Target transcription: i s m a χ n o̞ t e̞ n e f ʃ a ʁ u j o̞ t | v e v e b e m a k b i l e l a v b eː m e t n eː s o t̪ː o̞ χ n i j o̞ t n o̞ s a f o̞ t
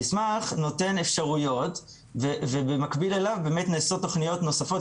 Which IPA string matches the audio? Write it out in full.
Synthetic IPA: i s m a χ n o̞ t e̞ n e f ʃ a ʁ u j o̞ t | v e v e b e m a k b i l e l a v b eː m e t n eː s o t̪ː o̞ χ n i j o̞ t n o̞ s a f o̞ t